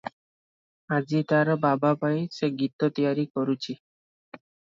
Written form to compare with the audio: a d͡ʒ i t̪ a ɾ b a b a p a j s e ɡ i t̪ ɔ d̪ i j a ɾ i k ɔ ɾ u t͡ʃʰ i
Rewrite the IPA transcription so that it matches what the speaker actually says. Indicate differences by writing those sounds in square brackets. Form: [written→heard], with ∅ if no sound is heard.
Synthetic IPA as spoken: a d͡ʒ i t̪ a ɾ b a b a p a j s e ɡ i t̪ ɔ [d̪→t̪] i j a ɾ i k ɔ ɾ u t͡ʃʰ i